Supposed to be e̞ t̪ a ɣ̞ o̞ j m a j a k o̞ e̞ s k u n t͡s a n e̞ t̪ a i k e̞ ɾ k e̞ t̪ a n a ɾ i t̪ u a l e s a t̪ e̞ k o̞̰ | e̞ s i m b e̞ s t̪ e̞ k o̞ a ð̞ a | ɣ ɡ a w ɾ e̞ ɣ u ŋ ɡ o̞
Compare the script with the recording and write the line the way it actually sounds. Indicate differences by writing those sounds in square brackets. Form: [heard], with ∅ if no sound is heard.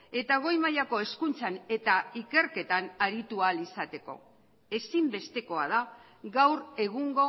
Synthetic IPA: e̞ t̪ a ɣ̞ o̞ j m a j a k o̞ e̞ s k u n t͡s a n e̞ t̪ a i k e̞ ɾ k e̞ t̪ a n a ɾ i t̪ u a l [i] s a t̪ e̞ k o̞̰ | e̞ s i m b e̞ s t̪ e̞ k o̞ a ð̞ a | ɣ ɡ a w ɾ e̞ ɣ u ŋ ɡ o̞